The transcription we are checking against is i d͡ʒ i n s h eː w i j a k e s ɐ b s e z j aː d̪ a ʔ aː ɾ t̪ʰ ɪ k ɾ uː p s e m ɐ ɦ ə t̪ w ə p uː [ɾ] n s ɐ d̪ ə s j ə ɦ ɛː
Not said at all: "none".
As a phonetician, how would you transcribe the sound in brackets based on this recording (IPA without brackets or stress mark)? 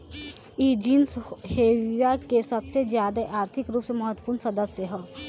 ɾ